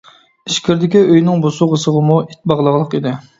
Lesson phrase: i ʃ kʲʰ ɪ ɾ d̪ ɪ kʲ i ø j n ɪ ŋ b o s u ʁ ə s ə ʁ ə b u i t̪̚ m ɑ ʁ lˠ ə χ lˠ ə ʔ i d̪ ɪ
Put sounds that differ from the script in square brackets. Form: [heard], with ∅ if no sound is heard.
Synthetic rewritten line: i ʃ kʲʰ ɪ ɾ d̪ ɪ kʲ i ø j n ɪ ŋ b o s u ʁ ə s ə ʁ ə [m] u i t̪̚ [b] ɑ ʁ lˠ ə [ʁ] lˠ ə [q] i d̪ ɪ